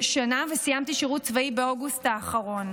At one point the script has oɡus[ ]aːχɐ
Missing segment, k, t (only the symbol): t